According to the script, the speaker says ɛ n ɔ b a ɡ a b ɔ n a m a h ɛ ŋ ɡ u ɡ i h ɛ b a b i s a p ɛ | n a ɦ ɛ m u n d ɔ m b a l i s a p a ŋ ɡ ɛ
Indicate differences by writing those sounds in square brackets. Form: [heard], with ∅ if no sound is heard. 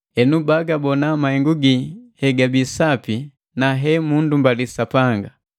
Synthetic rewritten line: ɛ n [u] b a ɡ a b ɔ n a m a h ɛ ŋ ɡ u ɡ i h ɛ [ɡ] a b i s a p [i] | n a ɦ ɛ m u n d [u] m b a l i s a p a ŋ ɡ [a]